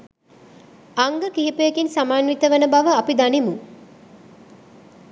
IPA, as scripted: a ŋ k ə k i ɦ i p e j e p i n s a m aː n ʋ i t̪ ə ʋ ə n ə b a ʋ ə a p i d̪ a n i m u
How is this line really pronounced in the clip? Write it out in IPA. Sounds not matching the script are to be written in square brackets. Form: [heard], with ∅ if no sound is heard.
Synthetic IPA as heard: a ŋ [ɡ] ə k i ɦ i p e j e [k] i n s a m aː n ʋ i t̪ ə ʋ ə n ə b a ʋ ə a p i d̪ a n i m u